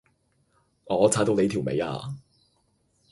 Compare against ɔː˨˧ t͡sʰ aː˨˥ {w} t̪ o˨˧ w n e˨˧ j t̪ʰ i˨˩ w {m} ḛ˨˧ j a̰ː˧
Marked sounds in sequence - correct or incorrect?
incorrect, correct

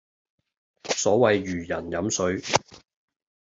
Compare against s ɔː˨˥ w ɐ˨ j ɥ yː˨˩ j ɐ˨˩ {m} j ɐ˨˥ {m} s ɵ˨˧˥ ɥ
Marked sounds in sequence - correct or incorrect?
incorrect, correct

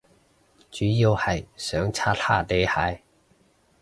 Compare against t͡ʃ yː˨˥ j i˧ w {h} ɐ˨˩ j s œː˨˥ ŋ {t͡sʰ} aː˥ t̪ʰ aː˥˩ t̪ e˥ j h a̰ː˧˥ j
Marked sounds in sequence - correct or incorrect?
correct, correct

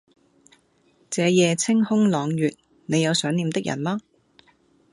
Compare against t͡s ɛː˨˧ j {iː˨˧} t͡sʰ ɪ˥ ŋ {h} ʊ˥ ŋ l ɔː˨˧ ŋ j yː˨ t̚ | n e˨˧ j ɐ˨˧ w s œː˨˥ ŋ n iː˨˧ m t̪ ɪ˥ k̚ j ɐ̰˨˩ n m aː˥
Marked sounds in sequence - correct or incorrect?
incorrect, correct

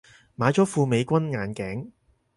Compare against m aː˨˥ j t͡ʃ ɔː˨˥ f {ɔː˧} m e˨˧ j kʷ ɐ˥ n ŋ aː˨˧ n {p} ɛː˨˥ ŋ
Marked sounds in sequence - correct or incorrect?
incorrect, incorrect

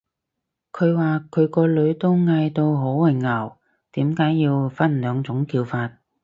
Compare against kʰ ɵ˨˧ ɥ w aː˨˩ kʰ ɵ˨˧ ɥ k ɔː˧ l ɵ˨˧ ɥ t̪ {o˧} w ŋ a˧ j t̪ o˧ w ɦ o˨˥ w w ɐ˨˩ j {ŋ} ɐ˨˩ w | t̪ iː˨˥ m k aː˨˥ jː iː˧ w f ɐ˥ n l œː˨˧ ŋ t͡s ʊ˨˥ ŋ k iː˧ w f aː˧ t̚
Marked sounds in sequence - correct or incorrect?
incorrect, correct

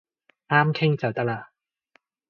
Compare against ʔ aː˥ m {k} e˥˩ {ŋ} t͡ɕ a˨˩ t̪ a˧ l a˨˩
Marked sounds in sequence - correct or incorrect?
incorrect, correct

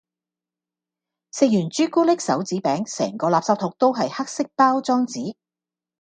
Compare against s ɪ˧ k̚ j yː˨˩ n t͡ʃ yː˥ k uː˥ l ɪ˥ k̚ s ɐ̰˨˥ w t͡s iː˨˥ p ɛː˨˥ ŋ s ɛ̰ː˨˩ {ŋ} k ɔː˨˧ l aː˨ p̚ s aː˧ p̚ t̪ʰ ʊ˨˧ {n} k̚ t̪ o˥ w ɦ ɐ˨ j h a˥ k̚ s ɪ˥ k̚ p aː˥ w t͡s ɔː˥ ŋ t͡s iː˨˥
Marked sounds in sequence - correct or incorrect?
correct, incorrect

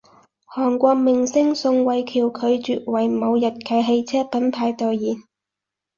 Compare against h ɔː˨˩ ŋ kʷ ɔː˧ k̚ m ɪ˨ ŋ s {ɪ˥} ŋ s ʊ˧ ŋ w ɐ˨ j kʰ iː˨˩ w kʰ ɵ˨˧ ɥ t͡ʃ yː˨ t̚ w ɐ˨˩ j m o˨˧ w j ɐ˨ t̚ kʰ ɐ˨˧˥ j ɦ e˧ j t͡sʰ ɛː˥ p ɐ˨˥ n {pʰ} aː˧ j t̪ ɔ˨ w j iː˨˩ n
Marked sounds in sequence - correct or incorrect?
correct, correct

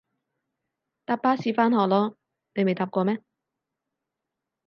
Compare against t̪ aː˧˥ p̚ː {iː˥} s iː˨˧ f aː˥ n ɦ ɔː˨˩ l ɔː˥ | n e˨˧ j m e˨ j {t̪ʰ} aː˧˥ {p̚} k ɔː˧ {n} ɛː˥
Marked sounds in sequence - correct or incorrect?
incorrect, incorrect, correct, incorrect

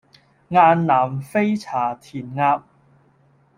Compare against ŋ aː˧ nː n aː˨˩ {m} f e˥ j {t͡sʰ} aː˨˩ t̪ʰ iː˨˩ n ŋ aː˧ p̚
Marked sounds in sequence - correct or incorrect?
correct, correct

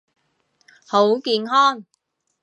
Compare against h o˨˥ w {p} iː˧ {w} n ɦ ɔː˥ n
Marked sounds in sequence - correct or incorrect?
incorrect, incorrect

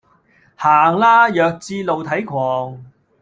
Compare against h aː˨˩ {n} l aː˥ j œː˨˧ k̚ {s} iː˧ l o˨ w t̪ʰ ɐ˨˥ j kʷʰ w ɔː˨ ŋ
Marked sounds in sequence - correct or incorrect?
incorrect, incorrect

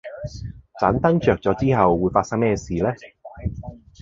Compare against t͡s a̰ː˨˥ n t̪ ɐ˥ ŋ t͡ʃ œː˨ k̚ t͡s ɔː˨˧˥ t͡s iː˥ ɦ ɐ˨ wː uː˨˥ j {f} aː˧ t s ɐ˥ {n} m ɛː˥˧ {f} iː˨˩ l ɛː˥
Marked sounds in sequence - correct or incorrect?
correct, incorrect, incorrect

